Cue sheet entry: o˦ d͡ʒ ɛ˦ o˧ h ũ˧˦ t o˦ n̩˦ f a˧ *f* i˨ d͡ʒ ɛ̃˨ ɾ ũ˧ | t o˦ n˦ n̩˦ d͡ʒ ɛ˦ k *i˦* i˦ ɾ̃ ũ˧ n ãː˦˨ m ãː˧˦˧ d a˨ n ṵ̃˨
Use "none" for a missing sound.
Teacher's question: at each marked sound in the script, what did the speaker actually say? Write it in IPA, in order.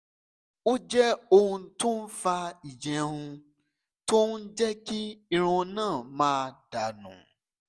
none, i˦

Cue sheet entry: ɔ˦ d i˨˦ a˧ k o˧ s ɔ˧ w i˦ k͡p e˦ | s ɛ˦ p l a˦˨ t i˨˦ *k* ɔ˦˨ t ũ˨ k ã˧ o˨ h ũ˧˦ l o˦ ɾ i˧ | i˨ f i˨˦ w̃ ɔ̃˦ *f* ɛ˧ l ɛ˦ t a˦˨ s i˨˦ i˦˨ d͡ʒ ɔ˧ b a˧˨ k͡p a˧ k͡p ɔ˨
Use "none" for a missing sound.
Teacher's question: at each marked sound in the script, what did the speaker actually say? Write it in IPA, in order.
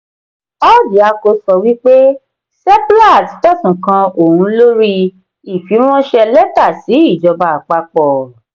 t, ʃ

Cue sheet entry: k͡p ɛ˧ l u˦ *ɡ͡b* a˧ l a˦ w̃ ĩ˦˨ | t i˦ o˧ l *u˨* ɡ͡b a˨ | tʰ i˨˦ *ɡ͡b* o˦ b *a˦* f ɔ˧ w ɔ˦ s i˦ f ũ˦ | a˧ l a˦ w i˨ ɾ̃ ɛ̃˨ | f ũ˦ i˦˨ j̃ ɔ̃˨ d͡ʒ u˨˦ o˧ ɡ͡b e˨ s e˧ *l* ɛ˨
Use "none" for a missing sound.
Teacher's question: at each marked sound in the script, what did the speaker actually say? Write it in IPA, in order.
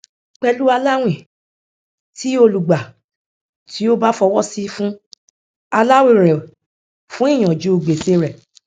none, u˨, none, a˦, ɾ

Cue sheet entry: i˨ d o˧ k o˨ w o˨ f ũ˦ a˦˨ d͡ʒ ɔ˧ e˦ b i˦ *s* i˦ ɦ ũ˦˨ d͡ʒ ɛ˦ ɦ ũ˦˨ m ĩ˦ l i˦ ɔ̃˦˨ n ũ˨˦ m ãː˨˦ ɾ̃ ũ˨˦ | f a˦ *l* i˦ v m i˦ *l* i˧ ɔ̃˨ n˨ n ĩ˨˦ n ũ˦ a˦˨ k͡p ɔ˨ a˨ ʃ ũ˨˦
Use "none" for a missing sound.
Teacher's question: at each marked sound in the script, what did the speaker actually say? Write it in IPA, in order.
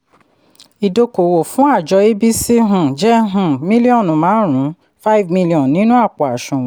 s, none, l

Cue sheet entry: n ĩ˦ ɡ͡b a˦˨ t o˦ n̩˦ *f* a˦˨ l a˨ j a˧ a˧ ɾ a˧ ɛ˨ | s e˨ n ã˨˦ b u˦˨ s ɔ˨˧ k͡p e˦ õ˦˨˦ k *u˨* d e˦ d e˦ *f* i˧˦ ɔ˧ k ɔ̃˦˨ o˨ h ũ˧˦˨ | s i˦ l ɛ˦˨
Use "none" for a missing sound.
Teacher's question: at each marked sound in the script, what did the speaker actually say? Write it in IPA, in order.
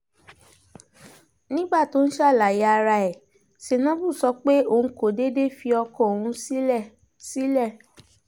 ʃ, o˨, f

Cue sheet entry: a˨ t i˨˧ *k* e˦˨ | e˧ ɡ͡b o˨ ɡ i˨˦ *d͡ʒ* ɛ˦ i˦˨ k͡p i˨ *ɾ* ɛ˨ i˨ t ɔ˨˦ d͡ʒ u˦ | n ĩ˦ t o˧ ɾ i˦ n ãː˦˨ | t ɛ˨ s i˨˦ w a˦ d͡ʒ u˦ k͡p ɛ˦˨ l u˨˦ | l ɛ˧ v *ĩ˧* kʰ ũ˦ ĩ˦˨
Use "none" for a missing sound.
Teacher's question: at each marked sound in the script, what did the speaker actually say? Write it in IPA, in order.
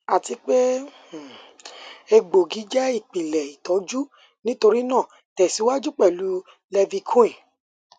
k͡p, d͡ʒ, l, i˧

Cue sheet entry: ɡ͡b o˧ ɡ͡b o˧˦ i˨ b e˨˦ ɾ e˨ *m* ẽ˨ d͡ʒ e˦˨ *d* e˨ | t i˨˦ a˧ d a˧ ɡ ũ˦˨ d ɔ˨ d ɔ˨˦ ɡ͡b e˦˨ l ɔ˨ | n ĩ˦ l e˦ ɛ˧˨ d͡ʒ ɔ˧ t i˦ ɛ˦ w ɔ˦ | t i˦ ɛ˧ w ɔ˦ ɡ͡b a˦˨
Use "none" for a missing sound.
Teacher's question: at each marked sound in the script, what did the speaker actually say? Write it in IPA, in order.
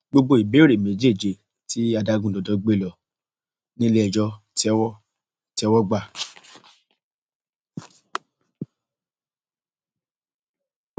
m, d͡ʒ

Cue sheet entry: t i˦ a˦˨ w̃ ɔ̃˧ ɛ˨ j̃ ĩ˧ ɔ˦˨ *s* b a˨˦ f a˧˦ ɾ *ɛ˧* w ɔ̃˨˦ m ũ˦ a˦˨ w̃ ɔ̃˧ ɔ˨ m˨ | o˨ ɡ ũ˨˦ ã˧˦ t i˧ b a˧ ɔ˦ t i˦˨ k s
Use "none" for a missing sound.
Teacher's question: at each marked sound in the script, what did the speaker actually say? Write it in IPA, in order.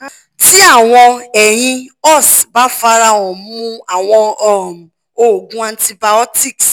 s, a˧

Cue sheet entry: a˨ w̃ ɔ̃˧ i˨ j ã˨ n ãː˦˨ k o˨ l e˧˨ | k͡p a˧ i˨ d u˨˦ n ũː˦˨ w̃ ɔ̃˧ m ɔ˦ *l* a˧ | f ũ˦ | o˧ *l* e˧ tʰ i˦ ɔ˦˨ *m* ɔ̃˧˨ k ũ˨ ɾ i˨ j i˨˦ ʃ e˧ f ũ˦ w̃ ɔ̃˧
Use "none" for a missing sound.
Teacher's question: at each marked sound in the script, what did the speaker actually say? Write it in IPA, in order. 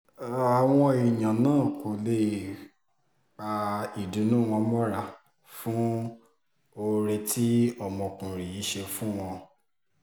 ɾ, ɾ, m

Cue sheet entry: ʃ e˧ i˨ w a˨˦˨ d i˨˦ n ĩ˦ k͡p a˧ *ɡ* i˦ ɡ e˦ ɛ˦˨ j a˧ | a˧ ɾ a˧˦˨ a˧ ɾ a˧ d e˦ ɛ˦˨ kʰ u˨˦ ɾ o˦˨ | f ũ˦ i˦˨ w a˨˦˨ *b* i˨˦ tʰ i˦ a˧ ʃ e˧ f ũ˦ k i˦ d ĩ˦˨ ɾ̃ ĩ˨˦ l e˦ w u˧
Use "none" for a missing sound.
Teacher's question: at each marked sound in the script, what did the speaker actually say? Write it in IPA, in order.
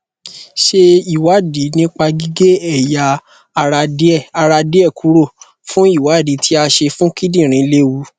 ɡ, d

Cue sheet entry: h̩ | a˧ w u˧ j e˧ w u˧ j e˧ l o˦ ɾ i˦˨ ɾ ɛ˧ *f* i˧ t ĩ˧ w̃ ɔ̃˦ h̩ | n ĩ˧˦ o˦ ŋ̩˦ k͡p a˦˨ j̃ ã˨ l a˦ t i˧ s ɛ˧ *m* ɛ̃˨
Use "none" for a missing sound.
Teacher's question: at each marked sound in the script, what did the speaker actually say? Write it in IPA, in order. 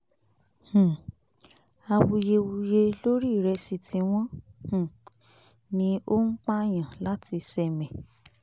s, m

